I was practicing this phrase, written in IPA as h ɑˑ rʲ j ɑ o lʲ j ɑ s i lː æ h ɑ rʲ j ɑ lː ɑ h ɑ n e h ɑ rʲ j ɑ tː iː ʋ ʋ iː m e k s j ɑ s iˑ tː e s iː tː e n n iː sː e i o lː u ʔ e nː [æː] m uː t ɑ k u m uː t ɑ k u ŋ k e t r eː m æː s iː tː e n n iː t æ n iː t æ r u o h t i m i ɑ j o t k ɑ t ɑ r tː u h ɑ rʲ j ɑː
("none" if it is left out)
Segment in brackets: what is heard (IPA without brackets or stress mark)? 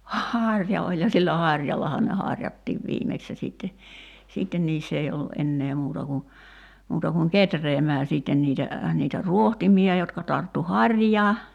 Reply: eː